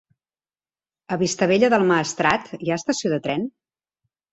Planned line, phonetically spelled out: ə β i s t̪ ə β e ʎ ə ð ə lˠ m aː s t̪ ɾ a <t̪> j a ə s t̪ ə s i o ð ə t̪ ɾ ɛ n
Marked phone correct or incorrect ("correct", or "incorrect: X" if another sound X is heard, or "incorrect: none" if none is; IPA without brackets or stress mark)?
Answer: correct